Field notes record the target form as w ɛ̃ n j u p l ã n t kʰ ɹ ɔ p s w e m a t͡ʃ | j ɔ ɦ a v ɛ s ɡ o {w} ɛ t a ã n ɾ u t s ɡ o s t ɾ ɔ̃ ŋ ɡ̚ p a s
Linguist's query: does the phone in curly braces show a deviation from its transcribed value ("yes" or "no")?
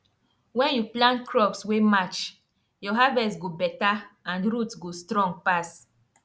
yes